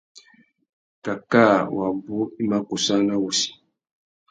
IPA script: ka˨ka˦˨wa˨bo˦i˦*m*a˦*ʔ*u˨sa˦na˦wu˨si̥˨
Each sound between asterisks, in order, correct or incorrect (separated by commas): correct, incorrect